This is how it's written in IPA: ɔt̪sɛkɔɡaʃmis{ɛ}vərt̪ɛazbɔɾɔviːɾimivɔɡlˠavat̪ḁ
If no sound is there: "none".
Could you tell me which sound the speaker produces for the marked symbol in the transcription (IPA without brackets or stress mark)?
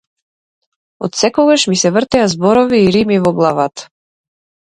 ɛ